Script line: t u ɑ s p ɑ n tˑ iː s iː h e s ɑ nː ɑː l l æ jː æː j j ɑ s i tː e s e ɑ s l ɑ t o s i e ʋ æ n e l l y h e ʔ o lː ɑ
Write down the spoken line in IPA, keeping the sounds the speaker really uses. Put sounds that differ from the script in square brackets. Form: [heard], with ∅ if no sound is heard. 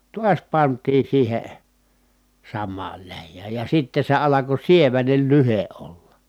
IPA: t u ɑ s p ɑ n tˑ iː s iː h e s ɑ [mː] ɑː l l æ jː æː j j ɑ s i tː e s e ɑ [∅] l ɑ [k] o s i e ʋ æ n e l l y h e ʔ o lː ɑ